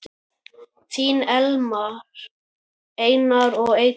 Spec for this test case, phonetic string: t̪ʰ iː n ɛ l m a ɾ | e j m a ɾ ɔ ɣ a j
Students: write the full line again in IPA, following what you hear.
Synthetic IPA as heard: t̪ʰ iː n ɛ l m a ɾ | e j n a ɾ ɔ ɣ e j